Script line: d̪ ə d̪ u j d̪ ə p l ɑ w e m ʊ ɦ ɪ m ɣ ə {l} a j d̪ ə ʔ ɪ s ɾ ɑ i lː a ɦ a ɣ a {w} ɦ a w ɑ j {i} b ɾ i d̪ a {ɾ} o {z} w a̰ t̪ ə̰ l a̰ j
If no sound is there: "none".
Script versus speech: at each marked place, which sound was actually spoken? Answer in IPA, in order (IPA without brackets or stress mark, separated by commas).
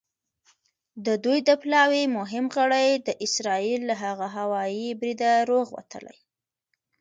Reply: ɽ, none, i, ɾ, ɣ